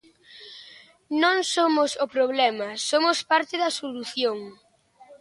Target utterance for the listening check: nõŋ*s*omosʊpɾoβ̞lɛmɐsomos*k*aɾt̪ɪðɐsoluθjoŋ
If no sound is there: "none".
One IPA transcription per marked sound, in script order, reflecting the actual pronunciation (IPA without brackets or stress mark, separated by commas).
s, p